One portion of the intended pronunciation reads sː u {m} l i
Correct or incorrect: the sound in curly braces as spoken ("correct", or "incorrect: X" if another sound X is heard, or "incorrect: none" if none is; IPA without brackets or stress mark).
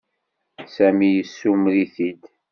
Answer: correct